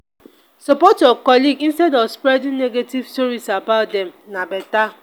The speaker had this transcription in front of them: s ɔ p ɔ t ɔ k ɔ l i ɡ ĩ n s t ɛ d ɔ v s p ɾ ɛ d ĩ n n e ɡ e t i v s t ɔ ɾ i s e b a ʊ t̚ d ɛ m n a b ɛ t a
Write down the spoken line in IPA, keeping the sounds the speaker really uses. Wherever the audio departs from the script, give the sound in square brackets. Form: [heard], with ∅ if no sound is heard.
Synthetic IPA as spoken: s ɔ p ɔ t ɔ k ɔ l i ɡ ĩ n s t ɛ d ɔ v s p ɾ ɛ d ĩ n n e ɡ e t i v s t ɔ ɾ i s [a] b a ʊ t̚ d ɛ m n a b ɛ t a